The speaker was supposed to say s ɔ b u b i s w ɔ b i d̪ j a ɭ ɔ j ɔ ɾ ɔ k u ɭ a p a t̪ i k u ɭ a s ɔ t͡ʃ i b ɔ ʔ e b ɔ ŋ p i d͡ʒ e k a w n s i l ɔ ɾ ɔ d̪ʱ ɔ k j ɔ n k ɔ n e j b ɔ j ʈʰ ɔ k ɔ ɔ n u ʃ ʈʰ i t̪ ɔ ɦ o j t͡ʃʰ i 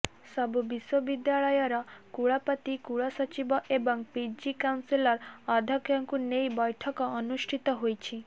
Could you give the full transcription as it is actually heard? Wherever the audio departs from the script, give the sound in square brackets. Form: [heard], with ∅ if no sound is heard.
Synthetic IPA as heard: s ɔ b u b i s w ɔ b i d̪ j a ɭ ɔ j ɔ ɾ ɔ k u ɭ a p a t̪ i k u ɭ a s ɔ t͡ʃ i b ɔ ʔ e b ɔ ŋ p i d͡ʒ [i] k a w n s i l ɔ ɾ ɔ d̪ʱ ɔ k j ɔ [ŋ] k [u] n e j b ɔ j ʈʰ ɔ k ɔ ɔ n u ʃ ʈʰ i t̪ ɔ ɦ o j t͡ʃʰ i